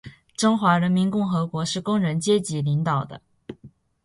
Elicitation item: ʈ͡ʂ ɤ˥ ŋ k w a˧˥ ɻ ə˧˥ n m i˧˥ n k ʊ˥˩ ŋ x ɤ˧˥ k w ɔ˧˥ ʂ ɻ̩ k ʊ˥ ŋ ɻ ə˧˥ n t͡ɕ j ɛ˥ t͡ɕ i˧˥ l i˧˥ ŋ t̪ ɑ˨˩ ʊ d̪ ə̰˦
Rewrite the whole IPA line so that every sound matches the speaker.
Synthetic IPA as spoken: ʈ͡ʂ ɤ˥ ŋ x w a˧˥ ɻ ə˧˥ n m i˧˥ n k ʊ˥˩ ŋ x ɤ˧˥ k w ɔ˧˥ ʂ ɻ̩ k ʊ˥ ŋ ɻ ə˧˥ n t͡ɕ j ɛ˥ t͡ɕ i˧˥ l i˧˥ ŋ t̪ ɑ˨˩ ʊ d̪ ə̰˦